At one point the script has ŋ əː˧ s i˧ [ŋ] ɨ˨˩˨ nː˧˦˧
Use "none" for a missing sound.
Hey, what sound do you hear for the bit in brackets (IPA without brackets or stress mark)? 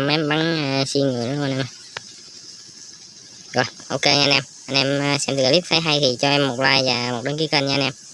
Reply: ŋ